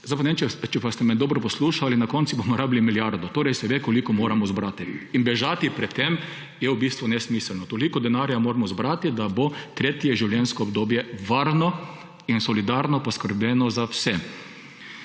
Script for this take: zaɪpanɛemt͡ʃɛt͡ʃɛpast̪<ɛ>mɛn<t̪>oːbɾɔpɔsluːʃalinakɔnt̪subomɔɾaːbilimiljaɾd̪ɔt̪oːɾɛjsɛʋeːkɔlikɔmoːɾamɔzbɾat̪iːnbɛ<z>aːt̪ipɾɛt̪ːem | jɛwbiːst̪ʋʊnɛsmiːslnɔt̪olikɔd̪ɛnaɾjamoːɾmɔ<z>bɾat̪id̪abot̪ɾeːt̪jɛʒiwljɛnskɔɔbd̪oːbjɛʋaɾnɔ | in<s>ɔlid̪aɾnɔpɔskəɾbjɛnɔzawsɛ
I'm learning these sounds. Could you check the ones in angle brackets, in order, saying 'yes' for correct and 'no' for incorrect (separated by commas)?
yes, no, no, yes, yes